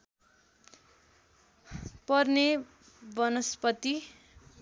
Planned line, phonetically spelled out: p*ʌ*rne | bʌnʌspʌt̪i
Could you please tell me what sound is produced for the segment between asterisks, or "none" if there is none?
ʌ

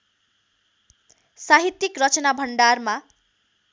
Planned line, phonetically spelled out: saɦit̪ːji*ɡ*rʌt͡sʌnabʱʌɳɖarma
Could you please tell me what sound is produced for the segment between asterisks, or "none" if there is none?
k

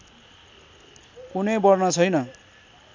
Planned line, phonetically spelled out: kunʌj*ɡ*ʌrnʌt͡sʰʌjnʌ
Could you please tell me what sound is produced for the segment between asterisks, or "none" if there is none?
b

